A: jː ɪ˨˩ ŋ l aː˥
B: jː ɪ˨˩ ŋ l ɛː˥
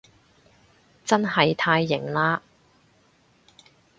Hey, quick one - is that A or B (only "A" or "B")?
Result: A